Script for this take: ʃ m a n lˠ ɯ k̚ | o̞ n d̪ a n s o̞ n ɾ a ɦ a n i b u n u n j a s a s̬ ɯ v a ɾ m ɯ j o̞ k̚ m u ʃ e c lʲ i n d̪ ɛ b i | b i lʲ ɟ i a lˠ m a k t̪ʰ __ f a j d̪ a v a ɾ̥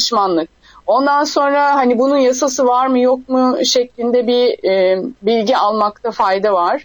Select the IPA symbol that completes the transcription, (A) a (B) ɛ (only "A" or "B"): A